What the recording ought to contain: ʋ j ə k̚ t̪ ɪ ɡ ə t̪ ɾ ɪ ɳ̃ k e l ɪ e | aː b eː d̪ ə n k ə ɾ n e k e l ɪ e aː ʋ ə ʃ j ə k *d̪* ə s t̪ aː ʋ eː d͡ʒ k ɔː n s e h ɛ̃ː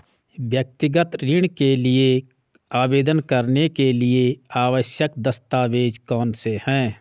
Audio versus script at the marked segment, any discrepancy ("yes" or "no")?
no